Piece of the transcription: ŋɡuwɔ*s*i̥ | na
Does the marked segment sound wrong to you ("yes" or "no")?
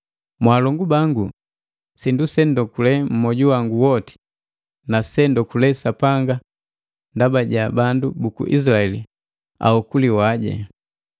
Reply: yes